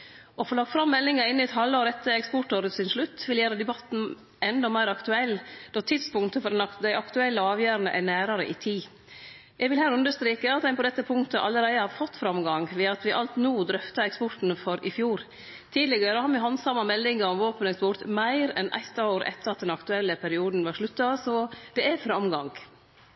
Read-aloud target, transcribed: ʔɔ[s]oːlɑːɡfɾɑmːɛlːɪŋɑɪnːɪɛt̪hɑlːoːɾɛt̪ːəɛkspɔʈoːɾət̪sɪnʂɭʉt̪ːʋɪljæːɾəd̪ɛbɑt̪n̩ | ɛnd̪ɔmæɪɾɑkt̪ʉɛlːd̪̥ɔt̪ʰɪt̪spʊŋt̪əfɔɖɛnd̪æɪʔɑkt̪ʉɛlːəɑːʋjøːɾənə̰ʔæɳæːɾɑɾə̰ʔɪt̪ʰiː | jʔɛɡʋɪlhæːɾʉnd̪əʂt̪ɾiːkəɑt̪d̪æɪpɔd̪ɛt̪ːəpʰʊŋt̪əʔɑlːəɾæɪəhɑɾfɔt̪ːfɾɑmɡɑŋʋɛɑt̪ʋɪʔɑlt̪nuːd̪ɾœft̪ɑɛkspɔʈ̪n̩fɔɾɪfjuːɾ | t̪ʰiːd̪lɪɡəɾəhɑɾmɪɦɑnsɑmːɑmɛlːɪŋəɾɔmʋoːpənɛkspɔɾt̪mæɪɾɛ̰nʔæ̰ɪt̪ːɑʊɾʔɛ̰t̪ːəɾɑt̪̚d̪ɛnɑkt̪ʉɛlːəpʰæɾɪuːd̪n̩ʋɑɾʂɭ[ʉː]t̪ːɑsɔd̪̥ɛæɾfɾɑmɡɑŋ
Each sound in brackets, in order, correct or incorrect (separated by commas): incorrect, incorrect